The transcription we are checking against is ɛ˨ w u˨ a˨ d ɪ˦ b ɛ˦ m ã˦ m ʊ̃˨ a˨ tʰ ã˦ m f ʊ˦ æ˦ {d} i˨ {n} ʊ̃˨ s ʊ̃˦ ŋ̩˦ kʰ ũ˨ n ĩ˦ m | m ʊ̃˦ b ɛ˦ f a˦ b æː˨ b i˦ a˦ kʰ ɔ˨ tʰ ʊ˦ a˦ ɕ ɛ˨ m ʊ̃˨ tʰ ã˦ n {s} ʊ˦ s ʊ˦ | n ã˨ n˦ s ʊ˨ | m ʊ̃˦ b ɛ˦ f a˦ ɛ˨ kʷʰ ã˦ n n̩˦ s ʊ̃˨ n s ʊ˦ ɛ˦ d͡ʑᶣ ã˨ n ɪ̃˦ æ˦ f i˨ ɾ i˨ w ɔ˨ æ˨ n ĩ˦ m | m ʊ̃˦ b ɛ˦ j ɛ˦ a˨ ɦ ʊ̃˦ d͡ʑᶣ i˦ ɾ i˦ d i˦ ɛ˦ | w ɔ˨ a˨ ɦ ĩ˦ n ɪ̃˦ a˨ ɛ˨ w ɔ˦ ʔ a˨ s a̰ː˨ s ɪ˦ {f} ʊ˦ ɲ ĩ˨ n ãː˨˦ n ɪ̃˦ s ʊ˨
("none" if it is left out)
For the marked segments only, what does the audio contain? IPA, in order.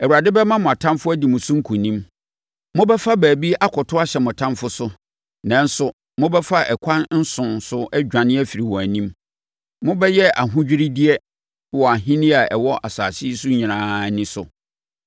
d, m, f, s

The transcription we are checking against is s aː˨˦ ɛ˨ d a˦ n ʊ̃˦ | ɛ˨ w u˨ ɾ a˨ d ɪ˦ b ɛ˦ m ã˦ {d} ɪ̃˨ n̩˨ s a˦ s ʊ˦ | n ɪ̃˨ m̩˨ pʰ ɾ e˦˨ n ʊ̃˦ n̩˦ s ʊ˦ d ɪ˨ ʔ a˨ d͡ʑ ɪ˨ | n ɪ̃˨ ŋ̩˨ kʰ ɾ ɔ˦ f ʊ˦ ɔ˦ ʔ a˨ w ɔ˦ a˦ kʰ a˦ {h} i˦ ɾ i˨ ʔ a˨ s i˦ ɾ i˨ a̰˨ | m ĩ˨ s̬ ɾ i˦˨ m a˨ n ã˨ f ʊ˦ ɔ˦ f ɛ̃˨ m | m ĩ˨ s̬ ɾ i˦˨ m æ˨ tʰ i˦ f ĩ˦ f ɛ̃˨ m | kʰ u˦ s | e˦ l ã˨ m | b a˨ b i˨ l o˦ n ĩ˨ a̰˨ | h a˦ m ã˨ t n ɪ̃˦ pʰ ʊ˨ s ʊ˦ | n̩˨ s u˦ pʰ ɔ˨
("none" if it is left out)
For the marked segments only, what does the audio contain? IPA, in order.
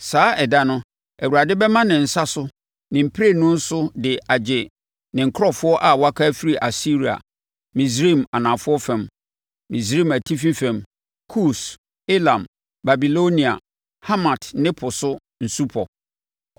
n, f

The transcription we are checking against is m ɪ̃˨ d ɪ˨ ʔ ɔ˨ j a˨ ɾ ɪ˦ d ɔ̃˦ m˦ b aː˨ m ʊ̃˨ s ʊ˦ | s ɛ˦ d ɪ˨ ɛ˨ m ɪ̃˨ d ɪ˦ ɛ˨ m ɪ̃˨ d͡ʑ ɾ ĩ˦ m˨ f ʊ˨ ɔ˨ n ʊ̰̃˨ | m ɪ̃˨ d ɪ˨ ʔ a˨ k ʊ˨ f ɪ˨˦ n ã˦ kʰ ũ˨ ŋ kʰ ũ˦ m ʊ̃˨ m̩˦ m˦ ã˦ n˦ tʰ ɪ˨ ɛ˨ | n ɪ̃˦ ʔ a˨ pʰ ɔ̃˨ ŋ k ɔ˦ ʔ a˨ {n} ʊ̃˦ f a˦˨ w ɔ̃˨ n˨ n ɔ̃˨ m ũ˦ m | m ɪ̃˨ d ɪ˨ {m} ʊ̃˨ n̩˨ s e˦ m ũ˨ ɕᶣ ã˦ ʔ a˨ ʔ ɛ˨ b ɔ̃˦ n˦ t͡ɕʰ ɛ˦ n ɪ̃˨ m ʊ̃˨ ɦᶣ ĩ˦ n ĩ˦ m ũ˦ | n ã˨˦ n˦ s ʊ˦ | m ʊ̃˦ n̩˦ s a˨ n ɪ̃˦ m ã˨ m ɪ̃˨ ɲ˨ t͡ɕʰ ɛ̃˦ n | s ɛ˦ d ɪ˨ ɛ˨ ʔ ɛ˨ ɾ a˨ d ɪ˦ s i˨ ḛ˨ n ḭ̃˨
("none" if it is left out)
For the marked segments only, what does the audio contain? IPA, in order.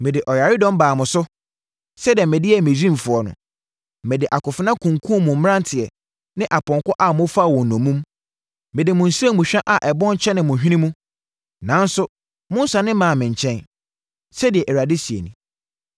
m, m

